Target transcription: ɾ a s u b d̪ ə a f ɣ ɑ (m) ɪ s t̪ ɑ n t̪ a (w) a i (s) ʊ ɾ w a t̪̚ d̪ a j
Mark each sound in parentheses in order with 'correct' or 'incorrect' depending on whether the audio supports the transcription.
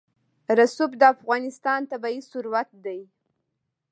incorrect: n, incorrect: b, correct

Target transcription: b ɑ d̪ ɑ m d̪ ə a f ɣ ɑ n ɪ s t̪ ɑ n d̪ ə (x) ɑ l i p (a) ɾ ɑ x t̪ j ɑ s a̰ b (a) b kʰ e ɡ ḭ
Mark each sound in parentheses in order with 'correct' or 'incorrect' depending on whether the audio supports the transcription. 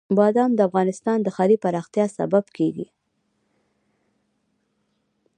correct, correct, correct

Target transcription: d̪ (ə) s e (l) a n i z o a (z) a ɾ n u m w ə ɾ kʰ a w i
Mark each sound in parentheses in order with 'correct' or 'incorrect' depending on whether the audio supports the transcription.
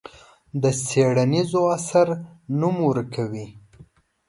correct, incorrect: ɽ, incorrect: s

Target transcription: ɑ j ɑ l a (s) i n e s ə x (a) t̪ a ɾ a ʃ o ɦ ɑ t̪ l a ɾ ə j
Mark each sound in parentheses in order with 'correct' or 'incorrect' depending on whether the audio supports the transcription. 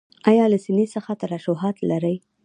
correct, correct

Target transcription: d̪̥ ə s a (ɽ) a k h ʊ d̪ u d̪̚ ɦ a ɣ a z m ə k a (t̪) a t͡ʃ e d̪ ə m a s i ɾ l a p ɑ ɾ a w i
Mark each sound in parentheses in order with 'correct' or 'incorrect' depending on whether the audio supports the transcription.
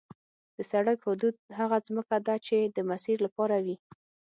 correct, incorrect: d̪

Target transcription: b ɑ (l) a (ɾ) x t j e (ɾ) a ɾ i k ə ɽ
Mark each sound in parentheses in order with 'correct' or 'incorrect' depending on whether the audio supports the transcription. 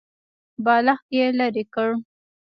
correct, incorrect: none, incorrect: l

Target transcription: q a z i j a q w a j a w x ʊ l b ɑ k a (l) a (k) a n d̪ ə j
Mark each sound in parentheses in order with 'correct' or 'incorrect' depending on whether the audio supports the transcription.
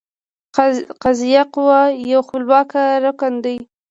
incorrect: ɾ, correct

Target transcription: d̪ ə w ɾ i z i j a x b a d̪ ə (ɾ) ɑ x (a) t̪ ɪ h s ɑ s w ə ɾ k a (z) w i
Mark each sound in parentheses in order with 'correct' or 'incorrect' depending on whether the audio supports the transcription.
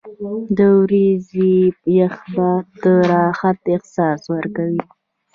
correct, correct, incorrect: none

